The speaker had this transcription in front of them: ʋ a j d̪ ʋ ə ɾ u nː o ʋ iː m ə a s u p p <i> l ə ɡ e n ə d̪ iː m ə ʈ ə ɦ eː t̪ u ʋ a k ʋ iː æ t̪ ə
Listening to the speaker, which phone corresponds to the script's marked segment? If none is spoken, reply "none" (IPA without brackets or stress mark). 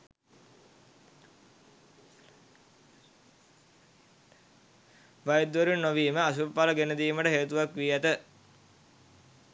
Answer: a